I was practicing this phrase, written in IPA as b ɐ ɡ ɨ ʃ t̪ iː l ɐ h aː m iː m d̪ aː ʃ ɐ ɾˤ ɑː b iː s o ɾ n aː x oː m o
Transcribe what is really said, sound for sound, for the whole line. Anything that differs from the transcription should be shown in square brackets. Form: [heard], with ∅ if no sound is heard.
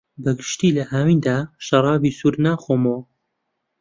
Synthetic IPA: b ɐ ɡ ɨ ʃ t̪ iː l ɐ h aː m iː [n] d̪ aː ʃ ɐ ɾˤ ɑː b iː s [u] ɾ n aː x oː m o